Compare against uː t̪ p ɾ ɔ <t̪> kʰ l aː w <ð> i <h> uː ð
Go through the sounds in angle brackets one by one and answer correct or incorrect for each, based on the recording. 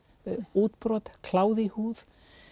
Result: correct, correct, correct

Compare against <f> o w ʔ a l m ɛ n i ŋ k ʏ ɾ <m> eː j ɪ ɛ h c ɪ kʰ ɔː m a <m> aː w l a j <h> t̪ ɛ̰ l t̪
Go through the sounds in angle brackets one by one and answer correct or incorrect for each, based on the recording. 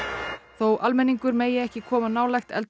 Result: incorrect: θ, correct, incorrect: n, incorrect: x

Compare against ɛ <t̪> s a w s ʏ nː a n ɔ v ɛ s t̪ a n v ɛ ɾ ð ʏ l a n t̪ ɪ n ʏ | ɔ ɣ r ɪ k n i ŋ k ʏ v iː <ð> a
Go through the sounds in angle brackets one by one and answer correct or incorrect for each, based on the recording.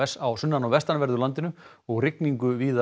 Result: incorrect: none, correct

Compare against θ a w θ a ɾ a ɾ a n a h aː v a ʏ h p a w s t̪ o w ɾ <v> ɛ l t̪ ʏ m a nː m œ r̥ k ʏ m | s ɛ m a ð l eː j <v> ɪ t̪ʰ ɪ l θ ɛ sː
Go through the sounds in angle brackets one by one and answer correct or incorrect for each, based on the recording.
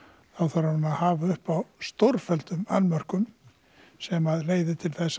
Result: incorrect: f, incorrect: ð

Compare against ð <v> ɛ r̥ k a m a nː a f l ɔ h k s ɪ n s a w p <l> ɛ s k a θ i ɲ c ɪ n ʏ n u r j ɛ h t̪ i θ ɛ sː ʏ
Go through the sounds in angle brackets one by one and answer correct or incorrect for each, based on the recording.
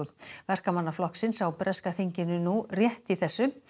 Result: correct, incorrect: ɾ

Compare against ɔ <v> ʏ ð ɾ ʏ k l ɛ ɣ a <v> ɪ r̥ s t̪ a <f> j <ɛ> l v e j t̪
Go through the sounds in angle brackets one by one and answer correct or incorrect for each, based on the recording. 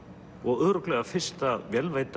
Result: incorrect: ɣ, incorrect: f, incorrect: v, correct

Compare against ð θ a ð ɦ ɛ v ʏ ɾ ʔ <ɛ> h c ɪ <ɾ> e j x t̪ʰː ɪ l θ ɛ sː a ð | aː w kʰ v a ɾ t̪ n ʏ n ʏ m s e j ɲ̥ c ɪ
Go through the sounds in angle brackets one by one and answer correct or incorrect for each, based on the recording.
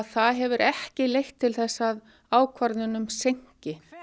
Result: correct, incorrect: l

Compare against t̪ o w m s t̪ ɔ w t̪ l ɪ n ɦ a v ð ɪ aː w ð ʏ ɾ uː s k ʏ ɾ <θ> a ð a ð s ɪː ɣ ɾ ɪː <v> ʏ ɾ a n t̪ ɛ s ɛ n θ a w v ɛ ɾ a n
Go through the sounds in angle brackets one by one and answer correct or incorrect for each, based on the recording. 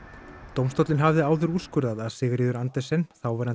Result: incorrect: ð, incorrect: ð

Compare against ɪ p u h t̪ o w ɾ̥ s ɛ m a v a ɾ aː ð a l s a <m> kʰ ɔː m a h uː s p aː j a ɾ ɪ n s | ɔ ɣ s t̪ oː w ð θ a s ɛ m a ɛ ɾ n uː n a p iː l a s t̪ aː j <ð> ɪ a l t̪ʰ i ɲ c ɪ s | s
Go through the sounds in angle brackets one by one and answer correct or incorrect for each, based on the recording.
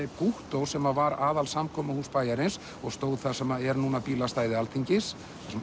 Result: correct, correct

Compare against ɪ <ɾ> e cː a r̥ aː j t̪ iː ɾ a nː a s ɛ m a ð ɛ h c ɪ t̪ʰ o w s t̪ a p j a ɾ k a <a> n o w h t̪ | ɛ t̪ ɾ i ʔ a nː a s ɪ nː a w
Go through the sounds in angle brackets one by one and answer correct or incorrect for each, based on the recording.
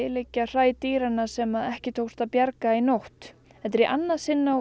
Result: incorrect: l, incorrect: i

